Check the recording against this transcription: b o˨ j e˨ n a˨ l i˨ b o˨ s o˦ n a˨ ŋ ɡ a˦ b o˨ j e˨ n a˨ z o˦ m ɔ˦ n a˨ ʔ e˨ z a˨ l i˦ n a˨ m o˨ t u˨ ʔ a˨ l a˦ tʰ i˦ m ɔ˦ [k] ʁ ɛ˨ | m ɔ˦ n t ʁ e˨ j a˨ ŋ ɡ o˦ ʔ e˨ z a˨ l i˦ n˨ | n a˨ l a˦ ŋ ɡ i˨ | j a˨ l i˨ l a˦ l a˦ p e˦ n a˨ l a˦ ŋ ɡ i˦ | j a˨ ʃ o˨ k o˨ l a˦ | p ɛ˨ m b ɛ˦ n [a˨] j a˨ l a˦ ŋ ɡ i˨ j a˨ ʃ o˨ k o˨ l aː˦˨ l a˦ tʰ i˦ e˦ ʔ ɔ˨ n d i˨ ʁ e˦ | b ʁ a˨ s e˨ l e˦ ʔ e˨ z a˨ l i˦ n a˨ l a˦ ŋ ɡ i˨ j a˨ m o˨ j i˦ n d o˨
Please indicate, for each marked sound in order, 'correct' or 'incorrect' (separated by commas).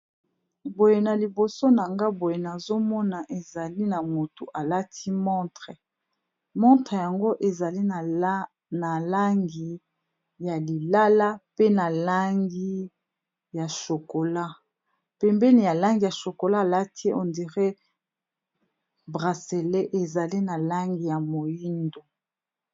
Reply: incorrect, incorrect